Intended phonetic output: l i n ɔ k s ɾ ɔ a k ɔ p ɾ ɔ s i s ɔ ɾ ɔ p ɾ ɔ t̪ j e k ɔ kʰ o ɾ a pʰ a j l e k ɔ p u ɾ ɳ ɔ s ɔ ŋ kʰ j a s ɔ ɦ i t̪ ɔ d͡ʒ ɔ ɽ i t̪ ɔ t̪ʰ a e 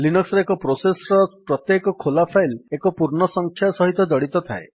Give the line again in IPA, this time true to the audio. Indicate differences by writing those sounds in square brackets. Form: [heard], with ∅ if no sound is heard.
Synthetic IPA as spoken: l i n ɔ k s ɾ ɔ [e] k ɔ p ɾ [o] s [e] s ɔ ɾ ɔ p ɾ ɔ t̪ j e k ɔ kʰ o [l] a pʰ a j l e k ɔ p u ɾ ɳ ɔ s ɔ ŋ kʰ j a s ɔ ɦ i t̪ ɔ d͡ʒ ɔ ɽ i t̪ ɔ t̪ʰ a e